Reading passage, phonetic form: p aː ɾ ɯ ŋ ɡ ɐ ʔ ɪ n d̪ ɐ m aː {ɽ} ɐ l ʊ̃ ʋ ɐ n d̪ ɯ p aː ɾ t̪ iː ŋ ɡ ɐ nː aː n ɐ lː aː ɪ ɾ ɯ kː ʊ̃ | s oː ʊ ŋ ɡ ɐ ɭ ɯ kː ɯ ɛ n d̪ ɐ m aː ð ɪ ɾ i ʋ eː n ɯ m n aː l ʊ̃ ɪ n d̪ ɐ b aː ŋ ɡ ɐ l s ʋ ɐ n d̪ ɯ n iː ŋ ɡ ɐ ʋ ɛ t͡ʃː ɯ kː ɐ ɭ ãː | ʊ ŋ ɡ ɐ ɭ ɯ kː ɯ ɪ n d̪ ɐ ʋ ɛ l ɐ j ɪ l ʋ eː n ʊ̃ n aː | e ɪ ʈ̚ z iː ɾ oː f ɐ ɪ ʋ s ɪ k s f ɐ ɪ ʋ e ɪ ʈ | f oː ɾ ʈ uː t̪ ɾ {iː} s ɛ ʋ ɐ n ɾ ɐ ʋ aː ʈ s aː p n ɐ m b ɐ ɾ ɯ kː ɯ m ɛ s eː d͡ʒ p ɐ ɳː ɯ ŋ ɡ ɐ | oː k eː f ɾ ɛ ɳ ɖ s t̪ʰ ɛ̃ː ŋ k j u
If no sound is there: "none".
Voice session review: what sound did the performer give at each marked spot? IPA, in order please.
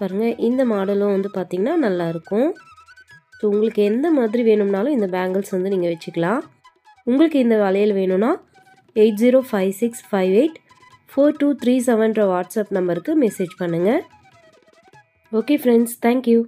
ɽ, iː

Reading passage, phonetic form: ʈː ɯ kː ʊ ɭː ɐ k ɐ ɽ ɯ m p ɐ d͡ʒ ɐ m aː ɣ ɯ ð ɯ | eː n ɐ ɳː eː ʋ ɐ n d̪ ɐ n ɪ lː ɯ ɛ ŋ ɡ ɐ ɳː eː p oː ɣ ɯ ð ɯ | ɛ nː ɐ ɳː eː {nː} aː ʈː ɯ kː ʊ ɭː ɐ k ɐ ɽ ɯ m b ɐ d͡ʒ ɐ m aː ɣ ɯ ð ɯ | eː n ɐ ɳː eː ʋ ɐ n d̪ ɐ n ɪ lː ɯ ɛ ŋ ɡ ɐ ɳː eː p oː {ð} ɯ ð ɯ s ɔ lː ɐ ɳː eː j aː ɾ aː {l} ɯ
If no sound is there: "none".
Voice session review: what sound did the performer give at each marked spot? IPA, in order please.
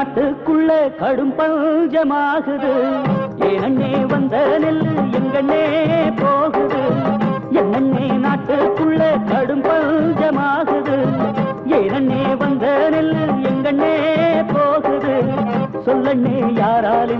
n, ɣ, l

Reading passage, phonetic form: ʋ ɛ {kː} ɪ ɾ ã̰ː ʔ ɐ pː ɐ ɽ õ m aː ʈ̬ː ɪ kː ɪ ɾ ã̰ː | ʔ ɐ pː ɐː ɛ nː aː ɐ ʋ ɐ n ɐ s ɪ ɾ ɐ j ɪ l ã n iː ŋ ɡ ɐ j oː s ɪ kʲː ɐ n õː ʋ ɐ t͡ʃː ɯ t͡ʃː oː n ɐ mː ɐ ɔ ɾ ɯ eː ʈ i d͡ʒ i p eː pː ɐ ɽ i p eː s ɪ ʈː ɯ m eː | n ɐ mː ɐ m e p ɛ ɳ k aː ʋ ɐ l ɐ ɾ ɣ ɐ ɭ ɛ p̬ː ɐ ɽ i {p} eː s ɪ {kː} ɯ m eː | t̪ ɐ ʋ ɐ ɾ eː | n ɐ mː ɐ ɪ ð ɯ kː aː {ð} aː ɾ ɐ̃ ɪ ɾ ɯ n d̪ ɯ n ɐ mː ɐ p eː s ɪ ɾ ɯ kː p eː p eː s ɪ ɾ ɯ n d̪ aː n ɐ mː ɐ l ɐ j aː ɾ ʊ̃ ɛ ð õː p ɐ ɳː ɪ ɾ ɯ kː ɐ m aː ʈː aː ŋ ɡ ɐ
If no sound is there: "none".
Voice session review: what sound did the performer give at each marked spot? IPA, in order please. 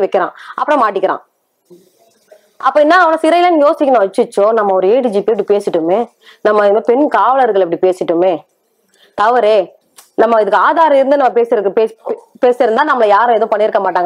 kː, p, ʈː, ð

